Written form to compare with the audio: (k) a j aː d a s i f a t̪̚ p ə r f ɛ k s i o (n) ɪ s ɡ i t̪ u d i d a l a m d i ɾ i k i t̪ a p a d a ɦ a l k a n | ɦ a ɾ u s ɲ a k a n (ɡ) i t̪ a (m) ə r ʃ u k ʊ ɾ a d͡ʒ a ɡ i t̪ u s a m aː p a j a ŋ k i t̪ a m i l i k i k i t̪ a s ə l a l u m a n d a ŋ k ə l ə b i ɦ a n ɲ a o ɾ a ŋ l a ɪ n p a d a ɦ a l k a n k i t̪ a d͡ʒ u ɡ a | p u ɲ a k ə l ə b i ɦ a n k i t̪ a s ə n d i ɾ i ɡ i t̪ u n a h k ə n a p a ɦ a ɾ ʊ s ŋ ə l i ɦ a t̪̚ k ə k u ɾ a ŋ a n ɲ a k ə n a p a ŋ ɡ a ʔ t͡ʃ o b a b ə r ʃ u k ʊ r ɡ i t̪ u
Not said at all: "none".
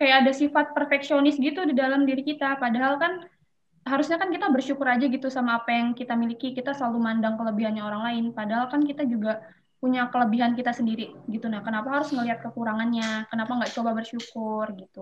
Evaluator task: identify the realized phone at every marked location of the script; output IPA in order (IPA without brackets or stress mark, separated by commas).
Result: k, n, k, b